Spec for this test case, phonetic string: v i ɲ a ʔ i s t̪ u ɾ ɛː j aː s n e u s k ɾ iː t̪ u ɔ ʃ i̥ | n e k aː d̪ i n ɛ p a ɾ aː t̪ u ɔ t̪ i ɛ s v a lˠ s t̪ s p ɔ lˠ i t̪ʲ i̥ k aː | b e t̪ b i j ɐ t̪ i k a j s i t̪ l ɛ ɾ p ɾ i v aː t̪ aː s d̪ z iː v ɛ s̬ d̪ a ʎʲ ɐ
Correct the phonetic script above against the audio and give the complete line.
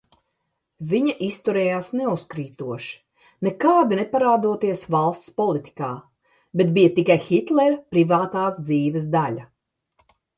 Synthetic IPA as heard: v i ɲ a ʔ i s t̪ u ɾ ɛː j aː s n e u s k ɾ iː t̪ u ɔ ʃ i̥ | n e k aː d̪ i n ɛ p a ɾ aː d̪ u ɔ t̪ i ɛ s v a lˠ s t̪ s p ɔ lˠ i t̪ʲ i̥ k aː | b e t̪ b i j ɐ t̪ i k a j x i t̪ l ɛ ɾ p ɾ i v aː t̪ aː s d̪ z iː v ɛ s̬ d̪ a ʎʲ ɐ